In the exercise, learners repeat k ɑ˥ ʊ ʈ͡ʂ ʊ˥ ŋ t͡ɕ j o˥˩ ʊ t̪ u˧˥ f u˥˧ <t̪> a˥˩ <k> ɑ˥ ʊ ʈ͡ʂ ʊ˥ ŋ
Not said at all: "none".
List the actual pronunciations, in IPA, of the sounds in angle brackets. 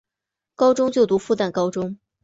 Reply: t̪, k

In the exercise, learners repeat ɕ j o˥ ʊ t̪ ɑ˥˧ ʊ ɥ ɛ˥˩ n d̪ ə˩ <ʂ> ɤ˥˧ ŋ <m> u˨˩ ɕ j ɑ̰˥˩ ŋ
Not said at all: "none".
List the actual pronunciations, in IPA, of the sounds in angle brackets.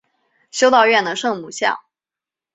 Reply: ʂ, m

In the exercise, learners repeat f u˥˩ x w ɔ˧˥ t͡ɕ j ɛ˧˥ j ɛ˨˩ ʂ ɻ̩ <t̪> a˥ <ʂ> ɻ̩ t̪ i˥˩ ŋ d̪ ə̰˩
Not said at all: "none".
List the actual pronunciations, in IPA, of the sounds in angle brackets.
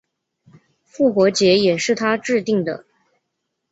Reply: t̪ʰ, ʈ͡ʂ

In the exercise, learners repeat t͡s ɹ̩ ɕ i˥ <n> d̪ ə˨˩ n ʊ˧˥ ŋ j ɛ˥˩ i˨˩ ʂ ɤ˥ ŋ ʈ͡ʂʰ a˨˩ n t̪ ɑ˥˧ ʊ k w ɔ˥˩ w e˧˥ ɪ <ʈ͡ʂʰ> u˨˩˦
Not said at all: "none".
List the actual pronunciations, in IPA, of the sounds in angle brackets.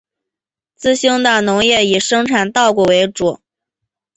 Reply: ŋ, ʈ͡ʂ

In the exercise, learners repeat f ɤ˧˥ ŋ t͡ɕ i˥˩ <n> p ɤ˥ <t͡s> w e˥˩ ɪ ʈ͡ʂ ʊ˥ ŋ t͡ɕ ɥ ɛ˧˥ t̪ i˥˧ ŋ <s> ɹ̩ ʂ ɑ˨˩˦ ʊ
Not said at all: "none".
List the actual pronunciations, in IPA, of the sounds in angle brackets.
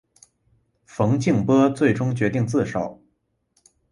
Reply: ŋ, t͡s, t͡s

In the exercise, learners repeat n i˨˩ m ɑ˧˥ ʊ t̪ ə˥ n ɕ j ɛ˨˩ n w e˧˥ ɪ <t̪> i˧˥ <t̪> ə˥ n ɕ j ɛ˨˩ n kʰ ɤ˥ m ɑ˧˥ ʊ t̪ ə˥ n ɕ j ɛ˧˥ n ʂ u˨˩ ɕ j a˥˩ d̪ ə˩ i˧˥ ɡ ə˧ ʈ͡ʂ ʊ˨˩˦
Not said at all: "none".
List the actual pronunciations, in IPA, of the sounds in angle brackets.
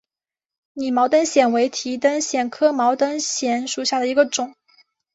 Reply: t̪ʰ, t̪

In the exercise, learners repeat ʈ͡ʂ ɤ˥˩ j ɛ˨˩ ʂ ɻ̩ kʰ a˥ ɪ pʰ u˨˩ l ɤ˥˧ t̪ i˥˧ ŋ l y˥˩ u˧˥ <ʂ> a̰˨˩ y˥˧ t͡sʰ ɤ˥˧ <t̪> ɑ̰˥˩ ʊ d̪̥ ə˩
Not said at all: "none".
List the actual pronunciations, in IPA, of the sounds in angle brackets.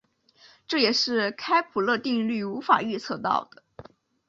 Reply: f, t̪

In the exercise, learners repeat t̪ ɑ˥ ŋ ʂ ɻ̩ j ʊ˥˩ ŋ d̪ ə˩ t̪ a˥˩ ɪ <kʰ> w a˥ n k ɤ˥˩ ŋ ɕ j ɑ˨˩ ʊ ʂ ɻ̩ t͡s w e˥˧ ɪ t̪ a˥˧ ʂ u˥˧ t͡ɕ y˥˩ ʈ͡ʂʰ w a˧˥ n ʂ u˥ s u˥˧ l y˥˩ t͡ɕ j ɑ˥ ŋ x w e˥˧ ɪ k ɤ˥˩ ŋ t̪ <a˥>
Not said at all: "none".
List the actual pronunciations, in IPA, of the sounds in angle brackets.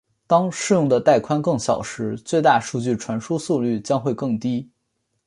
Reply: kʰ, i˥

